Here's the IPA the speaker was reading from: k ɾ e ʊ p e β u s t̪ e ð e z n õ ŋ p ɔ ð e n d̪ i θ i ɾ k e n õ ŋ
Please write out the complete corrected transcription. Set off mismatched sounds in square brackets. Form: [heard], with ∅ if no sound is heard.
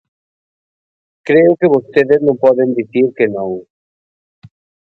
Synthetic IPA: k ɾ e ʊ [k] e β [o] s t̪ e ð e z n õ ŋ p ɔ ð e n d̪ i θ i ɾ k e n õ ŋ